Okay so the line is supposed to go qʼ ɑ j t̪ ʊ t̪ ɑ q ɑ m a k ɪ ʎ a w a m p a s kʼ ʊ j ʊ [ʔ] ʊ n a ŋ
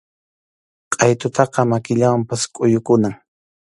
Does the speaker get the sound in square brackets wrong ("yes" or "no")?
yes